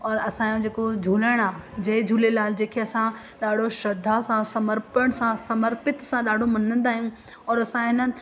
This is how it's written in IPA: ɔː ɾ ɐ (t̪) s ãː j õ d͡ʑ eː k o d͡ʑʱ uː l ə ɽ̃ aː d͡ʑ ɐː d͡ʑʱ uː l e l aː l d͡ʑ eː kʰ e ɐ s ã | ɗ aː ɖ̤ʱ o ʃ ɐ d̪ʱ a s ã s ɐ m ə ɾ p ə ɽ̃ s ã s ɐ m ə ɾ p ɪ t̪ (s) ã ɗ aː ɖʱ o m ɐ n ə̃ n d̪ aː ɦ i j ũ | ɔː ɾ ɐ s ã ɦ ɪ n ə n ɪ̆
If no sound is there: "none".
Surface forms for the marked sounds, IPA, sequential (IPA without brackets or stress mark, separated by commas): none, s